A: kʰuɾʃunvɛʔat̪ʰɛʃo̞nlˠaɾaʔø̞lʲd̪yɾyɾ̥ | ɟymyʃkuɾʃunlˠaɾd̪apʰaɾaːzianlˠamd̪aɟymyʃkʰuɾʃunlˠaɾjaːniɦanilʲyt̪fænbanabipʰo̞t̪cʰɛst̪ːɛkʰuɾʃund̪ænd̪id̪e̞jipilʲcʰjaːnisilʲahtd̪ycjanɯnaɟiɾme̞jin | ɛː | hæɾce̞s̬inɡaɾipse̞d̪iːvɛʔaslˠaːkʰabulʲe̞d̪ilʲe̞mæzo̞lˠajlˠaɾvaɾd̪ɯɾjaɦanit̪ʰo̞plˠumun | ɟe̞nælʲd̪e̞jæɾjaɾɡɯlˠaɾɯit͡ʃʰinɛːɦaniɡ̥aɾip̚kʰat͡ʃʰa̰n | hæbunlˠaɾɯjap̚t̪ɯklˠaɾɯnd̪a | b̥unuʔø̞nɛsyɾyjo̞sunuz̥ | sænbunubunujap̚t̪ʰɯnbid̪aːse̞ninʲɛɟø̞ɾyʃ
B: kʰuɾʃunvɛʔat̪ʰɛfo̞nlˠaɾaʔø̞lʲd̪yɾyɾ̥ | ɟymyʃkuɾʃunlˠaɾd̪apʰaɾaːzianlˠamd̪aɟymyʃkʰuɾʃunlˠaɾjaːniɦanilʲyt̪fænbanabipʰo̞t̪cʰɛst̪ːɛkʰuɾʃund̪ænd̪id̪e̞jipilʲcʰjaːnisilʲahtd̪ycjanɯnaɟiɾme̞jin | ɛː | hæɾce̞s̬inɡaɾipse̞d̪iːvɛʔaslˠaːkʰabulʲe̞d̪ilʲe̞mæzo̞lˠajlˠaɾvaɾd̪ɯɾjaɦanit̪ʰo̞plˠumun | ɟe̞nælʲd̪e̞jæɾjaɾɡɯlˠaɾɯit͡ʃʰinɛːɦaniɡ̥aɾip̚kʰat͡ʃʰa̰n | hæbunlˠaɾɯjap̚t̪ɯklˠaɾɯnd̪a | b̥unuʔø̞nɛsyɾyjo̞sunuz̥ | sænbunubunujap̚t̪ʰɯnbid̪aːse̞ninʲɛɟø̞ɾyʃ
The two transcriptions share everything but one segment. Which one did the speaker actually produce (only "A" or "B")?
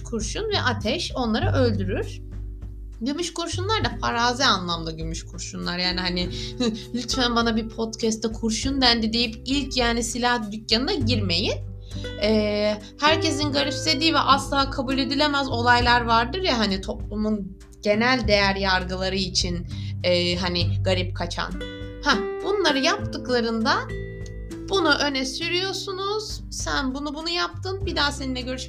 A